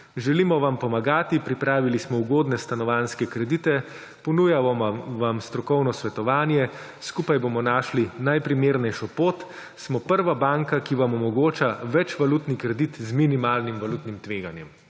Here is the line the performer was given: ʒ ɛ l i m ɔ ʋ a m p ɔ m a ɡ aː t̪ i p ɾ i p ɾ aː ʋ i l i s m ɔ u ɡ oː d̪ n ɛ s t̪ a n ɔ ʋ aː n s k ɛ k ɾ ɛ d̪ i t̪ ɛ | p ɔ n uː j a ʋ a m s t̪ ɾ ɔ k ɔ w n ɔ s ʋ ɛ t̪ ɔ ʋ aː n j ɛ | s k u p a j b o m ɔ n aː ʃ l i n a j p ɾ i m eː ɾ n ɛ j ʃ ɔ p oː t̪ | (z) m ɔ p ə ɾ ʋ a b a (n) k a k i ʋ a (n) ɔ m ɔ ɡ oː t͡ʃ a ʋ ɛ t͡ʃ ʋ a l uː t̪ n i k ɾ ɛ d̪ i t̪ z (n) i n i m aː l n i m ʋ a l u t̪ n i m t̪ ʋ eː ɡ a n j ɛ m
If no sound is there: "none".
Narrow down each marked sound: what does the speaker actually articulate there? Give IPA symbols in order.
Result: s, ŋ, m, m

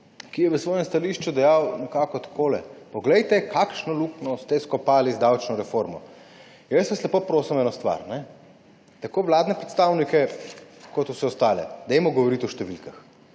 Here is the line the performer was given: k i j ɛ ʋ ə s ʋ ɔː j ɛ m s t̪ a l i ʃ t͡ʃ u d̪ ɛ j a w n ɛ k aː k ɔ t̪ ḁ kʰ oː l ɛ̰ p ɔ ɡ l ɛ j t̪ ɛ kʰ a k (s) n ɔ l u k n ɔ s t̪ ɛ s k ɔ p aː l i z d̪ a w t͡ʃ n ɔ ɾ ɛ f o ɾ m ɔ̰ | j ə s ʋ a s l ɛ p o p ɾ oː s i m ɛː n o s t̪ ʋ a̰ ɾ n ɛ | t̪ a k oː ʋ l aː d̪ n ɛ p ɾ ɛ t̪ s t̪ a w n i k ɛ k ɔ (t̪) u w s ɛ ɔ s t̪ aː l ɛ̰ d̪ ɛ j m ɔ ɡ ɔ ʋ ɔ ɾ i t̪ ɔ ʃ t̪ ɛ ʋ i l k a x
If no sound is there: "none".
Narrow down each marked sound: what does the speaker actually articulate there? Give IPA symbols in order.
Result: ʃ, t̪

